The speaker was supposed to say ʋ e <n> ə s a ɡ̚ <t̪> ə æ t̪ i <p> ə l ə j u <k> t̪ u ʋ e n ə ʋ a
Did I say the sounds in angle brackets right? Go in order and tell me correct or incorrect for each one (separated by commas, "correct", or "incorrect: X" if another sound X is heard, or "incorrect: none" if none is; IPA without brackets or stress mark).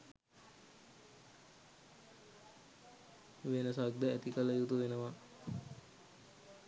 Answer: correct, incorrect: d̪, incorrect: k, incorrect: none